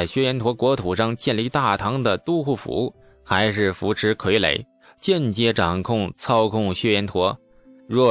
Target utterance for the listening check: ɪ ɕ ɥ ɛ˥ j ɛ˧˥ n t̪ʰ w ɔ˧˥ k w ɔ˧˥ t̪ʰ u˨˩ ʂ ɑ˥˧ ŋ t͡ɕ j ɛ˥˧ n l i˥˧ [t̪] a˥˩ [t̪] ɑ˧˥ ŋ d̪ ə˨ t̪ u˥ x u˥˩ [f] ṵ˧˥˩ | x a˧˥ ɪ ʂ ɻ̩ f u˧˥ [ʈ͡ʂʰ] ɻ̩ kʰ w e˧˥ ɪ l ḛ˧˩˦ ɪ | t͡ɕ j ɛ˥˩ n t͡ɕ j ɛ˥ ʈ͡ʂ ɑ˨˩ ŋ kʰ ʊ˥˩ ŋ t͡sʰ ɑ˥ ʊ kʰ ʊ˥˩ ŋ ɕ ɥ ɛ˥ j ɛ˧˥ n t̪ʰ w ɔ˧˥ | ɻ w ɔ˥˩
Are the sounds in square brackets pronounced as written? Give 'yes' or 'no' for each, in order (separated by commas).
yes, no, yes, yes